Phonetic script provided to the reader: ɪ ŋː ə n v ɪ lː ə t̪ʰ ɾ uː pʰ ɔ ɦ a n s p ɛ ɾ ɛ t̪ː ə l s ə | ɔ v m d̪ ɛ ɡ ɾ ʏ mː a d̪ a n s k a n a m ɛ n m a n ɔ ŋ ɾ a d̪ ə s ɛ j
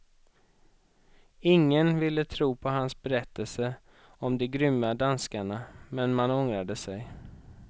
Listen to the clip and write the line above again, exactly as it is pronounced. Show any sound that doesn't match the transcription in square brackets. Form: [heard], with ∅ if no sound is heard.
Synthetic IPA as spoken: ɪ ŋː ə n v ɪ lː ə t̪ʰ ɾ uː pʰ ɔ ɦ a n s [b] ɛ ɾ ɛ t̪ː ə l s ə | ɔ [∅] m d̪ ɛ ɡ ɾ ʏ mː a d̪ a n s k a [ɳ] a m ɛ n m a n ɔ ŋ ɾ a d̪ ə s ɛ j